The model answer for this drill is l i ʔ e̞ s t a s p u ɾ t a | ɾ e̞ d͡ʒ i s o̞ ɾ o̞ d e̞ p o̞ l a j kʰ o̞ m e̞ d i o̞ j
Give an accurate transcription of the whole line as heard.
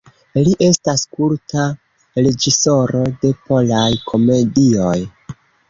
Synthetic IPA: l i ʔ e̞ s t a s k u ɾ t a | ɾ e̞ d͡ʒ i s o̞ ɾ o̞ d e̞ p o̞ l a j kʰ o̞ m e̞ d i o̞ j